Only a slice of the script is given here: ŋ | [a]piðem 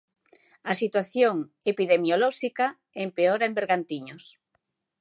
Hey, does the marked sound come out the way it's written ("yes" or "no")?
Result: no